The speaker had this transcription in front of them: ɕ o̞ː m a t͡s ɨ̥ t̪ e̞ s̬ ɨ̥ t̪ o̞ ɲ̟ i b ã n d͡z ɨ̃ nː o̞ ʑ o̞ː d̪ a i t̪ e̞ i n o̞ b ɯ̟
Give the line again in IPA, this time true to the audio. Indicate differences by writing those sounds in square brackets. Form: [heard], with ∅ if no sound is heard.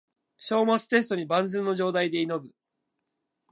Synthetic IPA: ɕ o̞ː m a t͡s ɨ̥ t̪ e̞ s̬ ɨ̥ t̪ o̞ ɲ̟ i b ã n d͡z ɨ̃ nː o̞ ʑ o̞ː d̪ a i [d̪] e̞ i n o̞ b ɯ̟